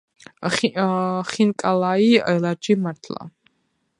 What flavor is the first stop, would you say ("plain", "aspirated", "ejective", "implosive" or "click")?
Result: ejective